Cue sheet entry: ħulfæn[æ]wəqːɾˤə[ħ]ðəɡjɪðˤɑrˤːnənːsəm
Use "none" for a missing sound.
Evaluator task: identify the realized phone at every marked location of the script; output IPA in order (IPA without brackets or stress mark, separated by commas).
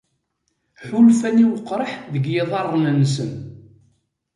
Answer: i, ħ